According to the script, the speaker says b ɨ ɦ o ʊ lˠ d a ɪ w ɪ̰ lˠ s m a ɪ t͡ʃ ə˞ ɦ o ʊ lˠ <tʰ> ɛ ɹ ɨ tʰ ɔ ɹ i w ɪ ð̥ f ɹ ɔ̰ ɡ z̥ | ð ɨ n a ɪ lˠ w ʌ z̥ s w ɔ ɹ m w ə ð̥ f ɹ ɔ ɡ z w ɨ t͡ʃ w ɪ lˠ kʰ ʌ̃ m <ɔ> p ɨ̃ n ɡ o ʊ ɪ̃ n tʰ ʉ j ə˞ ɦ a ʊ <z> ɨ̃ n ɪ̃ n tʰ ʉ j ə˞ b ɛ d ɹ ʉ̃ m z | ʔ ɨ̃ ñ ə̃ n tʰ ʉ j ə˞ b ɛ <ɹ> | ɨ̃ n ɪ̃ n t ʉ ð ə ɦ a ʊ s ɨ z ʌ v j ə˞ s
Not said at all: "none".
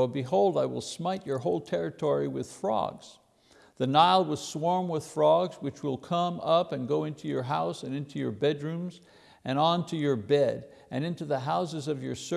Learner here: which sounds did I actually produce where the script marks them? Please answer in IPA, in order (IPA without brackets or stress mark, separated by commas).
tʰ, ʌ, s, ɾ